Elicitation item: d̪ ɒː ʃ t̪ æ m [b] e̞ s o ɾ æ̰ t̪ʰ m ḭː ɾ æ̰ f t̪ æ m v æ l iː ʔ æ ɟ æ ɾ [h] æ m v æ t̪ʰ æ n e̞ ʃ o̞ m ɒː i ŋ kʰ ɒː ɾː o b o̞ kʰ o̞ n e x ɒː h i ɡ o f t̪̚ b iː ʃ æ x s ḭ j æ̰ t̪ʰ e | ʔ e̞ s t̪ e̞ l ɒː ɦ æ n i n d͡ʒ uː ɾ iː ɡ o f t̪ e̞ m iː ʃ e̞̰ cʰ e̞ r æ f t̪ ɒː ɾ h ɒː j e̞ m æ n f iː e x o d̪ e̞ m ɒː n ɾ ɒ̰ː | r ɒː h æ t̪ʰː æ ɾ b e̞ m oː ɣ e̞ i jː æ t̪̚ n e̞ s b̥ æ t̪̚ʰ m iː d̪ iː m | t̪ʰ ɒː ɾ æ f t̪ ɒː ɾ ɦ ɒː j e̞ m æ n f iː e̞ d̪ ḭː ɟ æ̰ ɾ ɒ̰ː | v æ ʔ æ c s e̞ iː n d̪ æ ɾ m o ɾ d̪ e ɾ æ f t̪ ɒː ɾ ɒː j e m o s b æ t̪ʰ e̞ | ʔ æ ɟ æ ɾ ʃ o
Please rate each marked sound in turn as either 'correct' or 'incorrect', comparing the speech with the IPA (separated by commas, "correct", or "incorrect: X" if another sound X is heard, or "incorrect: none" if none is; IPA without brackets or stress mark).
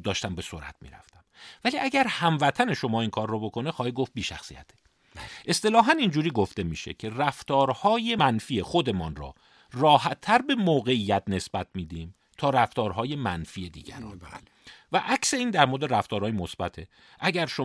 correct, correct